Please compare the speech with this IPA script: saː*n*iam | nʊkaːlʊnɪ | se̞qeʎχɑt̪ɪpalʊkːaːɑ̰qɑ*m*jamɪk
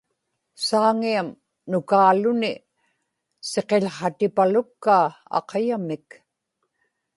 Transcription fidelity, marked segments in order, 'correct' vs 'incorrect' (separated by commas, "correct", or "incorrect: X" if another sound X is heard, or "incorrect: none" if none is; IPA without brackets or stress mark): incorrect: ŋ, incorrect: none